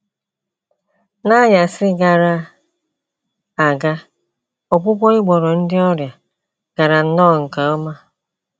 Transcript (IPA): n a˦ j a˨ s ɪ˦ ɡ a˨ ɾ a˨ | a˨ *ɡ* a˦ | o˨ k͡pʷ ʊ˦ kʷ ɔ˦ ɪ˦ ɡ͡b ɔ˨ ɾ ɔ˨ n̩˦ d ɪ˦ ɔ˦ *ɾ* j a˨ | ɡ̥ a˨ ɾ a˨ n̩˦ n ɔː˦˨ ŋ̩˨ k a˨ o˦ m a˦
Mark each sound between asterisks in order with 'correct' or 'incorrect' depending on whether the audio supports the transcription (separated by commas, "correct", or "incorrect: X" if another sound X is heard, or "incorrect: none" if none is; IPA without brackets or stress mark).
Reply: correct, correct